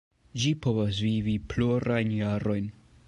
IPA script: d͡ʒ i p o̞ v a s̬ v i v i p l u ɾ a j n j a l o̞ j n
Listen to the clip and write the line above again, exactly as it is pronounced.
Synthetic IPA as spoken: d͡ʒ i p o̞ v a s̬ v i v i p l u ɾ a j n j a ɾ o̞ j n